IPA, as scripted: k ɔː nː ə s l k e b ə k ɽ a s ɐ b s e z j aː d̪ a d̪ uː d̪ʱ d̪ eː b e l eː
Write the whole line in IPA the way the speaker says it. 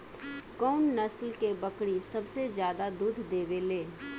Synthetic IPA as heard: k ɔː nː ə s l k e b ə k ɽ i s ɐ b s e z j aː d̪ a d̪ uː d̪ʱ d̪ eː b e l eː